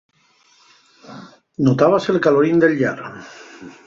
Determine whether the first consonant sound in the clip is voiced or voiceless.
voiced